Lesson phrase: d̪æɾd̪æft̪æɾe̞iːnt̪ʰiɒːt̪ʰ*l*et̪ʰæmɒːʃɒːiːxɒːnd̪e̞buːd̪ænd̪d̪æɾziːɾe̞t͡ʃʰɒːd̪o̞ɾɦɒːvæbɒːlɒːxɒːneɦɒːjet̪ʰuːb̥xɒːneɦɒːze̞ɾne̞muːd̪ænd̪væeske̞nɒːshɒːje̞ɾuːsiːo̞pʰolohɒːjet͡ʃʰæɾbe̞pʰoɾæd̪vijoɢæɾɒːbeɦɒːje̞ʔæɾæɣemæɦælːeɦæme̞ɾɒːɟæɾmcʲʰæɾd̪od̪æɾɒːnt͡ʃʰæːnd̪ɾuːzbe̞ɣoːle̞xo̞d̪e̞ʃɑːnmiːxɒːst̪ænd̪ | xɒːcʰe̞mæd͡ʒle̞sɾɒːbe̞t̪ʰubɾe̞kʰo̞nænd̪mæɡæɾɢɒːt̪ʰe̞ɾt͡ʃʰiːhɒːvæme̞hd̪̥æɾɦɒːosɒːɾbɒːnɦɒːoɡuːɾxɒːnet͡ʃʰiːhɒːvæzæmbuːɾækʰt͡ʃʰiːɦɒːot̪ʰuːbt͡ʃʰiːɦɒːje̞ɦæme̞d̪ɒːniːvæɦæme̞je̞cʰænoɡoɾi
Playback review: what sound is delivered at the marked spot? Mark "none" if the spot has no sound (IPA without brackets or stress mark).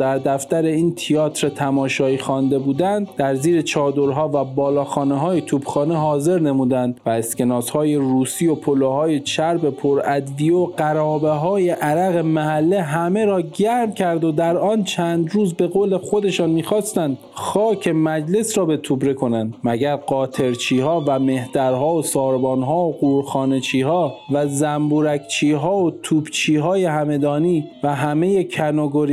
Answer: ɾ